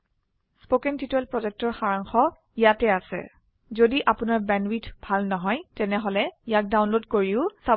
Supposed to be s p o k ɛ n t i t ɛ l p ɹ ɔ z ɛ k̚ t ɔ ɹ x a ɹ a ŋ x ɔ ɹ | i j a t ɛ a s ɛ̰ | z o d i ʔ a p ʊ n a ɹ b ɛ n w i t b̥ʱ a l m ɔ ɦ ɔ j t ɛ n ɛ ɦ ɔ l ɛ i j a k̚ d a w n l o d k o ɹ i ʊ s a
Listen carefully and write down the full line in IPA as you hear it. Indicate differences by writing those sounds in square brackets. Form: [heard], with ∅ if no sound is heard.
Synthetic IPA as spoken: s p o k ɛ n t i t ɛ l p ɹ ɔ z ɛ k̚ t ɔ ɹ x a ɹ a ŋ x ɔ [∅] | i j a t ɛ a s ɛ̰ | z o d i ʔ a p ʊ n a ɹ b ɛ n w i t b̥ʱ a l [n] ɔ ɦ ɔ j t ɛ n ɛ ɦ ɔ l ɛ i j a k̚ d a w n l o d k o ɹ i ʊ s a